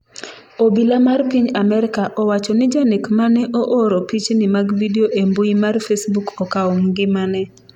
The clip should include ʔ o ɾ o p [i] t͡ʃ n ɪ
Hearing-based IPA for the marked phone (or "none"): i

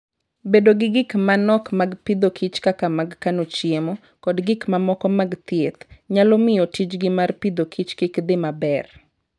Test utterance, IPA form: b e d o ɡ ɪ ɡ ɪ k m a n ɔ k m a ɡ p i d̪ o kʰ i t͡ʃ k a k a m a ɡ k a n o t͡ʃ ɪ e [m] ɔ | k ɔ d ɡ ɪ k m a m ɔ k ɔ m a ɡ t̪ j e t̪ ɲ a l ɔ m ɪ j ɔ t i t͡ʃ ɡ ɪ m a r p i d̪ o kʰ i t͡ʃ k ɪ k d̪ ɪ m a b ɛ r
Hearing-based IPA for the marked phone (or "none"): m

